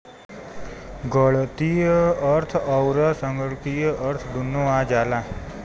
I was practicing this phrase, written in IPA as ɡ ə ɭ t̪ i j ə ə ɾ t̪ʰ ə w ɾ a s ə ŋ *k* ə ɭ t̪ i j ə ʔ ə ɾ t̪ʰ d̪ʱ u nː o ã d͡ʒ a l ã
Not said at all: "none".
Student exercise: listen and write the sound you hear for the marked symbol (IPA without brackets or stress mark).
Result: ɡ